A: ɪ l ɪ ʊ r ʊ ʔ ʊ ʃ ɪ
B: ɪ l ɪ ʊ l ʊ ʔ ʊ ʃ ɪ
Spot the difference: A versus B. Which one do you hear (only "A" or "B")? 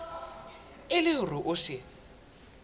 A